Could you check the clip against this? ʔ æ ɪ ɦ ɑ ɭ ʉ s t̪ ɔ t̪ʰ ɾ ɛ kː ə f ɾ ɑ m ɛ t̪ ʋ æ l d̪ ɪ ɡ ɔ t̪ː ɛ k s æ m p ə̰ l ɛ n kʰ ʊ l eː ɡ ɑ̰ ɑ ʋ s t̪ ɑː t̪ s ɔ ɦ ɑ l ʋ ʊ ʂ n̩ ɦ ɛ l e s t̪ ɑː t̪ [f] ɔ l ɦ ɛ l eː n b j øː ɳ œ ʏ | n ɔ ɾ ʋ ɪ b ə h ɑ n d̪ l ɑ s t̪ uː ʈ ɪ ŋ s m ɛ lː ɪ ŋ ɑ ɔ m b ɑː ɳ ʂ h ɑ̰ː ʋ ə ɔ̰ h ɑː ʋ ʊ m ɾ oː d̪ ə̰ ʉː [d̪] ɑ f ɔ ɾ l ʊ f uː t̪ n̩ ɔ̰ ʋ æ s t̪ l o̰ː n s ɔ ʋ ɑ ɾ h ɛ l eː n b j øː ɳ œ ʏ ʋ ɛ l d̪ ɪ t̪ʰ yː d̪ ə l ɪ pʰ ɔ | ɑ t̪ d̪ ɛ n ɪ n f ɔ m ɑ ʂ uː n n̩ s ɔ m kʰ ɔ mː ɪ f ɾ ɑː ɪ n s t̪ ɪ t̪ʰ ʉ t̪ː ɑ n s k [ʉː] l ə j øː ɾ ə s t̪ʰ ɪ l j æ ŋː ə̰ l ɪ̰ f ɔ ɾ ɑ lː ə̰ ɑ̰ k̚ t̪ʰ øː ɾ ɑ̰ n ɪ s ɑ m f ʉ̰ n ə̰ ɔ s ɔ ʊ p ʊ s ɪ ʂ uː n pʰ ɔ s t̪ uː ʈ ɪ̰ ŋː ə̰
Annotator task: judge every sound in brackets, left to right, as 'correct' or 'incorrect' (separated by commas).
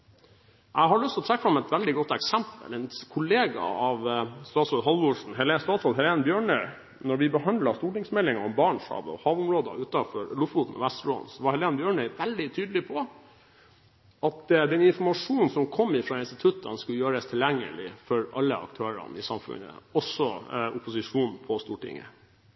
incorrect, incorrect, incorrect